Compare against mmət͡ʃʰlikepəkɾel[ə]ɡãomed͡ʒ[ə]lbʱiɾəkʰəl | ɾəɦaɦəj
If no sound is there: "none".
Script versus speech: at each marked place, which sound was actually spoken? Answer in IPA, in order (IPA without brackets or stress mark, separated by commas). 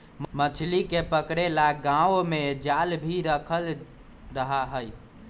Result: a, a